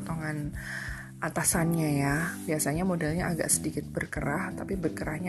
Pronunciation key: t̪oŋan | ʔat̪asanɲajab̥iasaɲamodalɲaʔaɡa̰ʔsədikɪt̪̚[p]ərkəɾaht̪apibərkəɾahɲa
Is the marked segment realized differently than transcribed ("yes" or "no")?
yes